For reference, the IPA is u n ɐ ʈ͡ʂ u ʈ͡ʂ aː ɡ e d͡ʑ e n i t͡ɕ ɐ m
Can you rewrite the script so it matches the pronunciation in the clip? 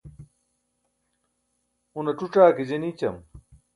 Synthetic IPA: u n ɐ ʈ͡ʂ u ʈ͡ʂ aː k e d͡ʑ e n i t͡ɕ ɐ m